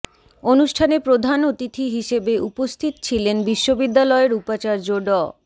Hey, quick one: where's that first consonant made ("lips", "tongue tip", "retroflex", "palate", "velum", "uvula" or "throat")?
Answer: tongue tip